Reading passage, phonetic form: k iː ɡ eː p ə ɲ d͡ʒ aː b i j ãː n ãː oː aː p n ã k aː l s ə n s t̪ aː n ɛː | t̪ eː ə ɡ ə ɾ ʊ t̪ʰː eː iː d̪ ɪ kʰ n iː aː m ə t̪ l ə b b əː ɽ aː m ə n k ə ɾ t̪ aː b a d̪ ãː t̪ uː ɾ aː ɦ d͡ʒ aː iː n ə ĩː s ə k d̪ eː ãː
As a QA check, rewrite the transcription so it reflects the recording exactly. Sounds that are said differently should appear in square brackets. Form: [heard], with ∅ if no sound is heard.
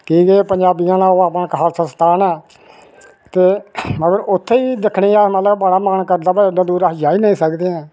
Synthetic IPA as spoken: k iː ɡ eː p ə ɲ d͡ʒ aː b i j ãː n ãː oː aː p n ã k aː l s ə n s t̪ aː n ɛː | t̪ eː ə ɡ ə ɾ ʊ t̪ʰː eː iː d̪ ɪ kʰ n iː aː m ə t̪ l ə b b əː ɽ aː m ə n k ə ɾ [d̪] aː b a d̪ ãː [d̪] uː ɾ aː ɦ d͡ʒ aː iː n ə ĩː s ə k d̪ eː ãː